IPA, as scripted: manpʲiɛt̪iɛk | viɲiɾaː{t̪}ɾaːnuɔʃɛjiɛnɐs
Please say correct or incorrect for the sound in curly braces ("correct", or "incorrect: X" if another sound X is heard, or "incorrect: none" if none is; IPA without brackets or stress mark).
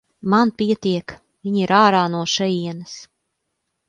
incorrect: none